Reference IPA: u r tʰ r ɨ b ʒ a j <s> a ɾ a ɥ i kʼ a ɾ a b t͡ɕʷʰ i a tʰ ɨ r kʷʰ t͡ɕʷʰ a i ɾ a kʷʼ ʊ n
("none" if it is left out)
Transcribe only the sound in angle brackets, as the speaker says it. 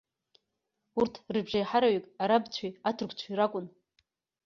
ħ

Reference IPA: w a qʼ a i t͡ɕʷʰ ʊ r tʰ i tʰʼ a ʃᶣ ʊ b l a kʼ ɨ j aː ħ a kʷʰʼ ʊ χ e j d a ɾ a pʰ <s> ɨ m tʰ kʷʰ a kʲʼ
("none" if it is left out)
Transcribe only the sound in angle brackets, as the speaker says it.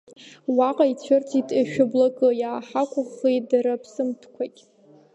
s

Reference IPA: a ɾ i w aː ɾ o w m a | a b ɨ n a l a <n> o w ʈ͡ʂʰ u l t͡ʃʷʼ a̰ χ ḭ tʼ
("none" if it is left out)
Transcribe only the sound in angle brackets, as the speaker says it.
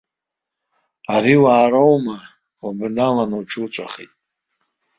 n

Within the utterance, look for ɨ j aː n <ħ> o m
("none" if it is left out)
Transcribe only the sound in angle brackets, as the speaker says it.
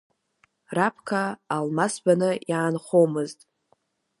χ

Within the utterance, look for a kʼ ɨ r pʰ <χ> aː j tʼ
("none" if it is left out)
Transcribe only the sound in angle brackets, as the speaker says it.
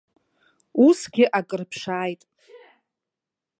ʂ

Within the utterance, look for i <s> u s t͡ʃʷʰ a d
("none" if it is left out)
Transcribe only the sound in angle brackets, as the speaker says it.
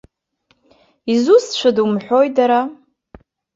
z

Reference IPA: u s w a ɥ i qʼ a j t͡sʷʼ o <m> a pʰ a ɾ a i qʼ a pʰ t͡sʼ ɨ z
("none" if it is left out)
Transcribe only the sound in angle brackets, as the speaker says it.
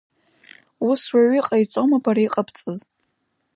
m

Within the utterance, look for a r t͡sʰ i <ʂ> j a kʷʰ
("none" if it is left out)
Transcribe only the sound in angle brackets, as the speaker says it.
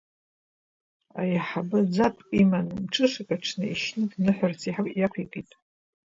ħ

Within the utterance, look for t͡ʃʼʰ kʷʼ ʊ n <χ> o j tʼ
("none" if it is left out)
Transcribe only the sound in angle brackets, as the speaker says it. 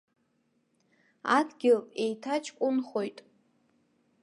χ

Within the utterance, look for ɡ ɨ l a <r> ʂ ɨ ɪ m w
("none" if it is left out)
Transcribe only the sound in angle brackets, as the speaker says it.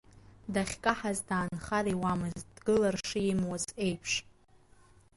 r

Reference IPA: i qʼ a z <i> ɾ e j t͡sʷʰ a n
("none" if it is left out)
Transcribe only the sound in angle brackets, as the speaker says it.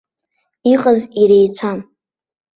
i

